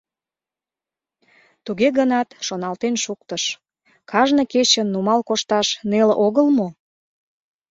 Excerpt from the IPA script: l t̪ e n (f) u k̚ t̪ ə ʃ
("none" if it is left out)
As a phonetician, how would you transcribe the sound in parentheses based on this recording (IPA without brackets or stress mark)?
ʃ